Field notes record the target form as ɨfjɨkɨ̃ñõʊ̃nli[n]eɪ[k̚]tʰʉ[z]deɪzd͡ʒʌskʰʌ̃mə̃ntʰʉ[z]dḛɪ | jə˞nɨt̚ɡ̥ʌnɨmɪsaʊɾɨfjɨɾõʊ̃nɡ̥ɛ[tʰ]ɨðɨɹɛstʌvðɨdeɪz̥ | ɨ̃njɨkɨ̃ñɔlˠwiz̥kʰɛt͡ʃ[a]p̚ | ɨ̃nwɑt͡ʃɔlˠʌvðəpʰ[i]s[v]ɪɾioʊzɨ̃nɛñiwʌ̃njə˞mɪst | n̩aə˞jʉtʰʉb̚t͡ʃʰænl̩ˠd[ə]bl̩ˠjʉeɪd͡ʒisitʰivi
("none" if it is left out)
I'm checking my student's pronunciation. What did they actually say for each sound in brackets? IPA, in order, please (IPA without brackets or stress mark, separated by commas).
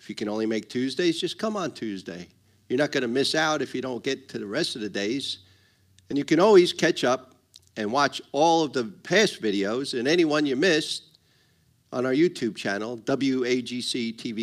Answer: m, k̚, z, z, tʰ, ʌ, æ, v, ʌ